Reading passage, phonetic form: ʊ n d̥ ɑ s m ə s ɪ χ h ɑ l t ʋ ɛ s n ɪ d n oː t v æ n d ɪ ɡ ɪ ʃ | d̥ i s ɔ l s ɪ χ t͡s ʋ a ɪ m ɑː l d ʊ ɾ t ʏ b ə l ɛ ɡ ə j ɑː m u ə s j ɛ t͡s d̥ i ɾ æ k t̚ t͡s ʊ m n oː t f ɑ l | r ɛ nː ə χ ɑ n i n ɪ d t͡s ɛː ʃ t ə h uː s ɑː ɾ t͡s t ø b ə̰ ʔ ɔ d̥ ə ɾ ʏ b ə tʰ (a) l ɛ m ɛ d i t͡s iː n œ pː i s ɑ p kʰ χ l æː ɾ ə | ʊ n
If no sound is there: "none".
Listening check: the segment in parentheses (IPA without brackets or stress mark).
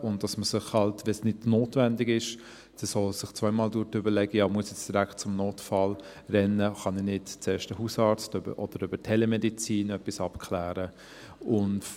ɛ